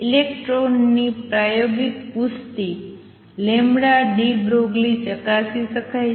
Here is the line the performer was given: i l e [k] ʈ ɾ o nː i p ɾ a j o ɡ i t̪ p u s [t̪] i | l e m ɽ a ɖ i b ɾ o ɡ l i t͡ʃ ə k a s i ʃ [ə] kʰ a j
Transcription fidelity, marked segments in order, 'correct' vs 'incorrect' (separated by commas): correct, correct, correct